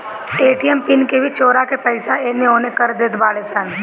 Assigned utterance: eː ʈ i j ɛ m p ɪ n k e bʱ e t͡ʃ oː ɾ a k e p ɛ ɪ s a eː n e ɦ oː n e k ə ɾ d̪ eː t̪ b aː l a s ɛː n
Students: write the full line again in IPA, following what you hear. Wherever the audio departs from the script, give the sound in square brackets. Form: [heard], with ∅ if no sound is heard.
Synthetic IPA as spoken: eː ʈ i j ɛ m p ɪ n k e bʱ [i] t͡ʃ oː ɾ a k e p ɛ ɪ s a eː n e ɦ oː n e k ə ɾ d̪ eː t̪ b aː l [e] s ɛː n